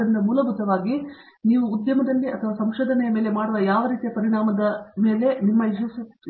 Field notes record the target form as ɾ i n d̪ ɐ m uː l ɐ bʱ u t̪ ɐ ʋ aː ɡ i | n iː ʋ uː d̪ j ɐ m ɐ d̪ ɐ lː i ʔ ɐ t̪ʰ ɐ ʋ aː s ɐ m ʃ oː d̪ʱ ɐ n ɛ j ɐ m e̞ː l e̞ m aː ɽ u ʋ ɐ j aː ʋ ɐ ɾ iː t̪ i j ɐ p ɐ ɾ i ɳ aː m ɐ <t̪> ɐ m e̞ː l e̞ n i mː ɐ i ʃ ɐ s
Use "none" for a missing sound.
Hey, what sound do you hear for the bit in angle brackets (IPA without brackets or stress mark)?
d̪